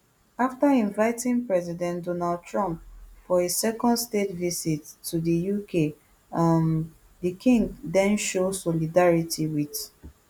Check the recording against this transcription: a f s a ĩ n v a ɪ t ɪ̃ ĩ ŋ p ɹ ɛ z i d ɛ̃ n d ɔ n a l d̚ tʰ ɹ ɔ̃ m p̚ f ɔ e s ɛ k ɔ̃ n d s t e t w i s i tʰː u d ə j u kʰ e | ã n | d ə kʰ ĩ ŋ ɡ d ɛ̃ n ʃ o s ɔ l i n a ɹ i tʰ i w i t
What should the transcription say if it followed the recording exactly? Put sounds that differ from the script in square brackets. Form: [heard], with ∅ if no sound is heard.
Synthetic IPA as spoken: a f [t] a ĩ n v a ɪ t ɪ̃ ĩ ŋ p ɹ ɛ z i d ɛ̃ n d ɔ n a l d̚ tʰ ɹ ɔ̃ m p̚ f ɔ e s ɛ k ɔ̃ n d s t e t [v] i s i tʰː u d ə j u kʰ e | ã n | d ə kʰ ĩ ŋ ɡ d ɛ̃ n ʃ o s ɔ l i [d] a ɹ i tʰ i w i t